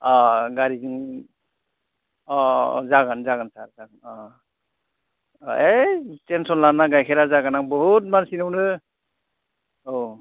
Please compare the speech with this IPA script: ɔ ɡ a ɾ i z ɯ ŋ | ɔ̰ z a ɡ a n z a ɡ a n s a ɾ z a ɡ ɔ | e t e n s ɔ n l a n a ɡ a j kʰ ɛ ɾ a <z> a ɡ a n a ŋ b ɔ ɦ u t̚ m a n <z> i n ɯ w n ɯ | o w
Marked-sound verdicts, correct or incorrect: correct, incorrect: s

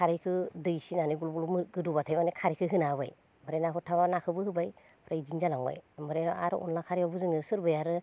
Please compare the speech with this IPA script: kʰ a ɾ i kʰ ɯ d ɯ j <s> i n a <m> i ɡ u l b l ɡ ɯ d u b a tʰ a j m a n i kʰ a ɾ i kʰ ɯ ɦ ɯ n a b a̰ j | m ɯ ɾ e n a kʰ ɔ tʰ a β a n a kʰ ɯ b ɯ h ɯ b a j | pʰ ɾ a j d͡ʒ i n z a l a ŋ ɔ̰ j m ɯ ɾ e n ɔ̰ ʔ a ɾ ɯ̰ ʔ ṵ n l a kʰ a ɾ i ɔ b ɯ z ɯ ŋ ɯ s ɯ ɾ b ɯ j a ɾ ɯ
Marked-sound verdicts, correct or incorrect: correct, incorrect: n

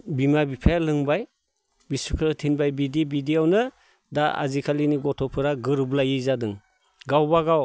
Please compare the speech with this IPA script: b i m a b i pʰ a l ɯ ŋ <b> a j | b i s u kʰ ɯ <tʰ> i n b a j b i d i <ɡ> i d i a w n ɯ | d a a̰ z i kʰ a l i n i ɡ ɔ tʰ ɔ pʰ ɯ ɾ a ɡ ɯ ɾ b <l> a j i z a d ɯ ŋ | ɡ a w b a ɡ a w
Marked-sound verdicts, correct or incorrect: correct, correct, incorrect: b, correct

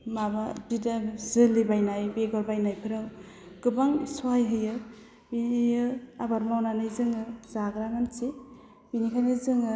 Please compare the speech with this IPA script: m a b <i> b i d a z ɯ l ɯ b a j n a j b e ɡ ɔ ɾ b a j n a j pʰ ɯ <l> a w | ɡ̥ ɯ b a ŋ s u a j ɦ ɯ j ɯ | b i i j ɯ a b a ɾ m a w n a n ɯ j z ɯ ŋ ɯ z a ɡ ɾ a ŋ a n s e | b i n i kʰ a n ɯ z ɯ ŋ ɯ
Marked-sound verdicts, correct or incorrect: incorrect: a, incorrect: ɾ

